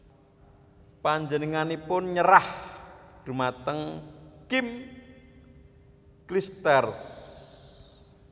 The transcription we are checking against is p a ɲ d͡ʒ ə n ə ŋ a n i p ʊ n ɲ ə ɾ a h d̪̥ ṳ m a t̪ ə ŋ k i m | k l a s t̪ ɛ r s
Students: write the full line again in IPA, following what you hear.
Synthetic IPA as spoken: p a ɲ d͡ʒ ə n ə ŋ a n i p ʊ n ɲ ə ɾ a h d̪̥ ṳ m a t̪ ə ŋ k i m | k l i s t̪ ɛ r s